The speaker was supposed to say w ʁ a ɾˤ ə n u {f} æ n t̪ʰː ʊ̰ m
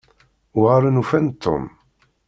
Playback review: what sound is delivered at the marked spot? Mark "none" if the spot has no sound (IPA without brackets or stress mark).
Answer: f